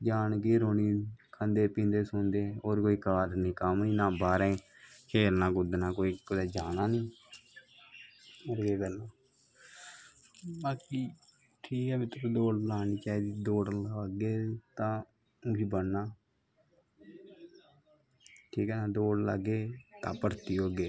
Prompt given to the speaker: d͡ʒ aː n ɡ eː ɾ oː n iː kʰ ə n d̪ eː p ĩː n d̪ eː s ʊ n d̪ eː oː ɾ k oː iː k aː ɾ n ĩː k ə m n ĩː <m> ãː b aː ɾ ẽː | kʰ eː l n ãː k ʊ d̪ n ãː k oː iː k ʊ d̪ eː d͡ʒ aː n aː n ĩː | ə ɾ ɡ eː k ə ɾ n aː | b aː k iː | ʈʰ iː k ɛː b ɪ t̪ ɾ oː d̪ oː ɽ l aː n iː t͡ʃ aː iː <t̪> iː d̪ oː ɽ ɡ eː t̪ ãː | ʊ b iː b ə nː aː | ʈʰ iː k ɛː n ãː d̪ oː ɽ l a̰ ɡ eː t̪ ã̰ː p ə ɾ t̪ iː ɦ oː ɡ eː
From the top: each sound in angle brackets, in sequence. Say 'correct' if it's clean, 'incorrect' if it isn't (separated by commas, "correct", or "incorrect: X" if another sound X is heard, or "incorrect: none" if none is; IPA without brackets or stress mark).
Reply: incorrect: n, incorrect: d̪